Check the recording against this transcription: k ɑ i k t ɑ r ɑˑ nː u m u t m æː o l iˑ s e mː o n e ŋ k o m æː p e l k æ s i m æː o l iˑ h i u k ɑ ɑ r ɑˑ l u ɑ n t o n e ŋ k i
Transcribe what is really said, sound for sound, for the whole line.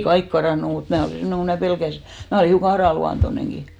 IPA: k ɑ i k k ɑ r ɑˑ nː u m u t m æː o l iˑ s e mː o n e ŋ k o m æː p e l k æ s i m æː o l iˑ h i u k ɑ ɑ r ɑˑ l u ɑ n t o n e ŋ k i